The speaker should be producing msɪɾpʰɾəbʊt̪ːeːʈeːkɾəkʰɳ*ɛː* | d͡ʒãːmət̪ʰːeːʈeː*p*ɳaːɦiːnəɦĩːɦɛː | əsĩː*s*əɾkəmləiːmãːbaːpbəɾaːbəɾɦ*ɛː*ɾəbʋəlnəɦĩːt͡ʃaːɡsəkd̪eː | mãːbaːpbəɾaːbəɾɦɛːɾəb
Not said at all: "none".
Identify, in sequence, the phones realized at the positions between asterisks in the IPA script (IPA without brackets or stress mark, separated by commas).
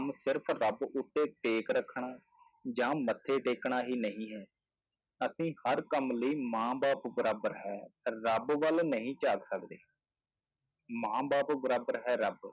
aː, k, h, ɛː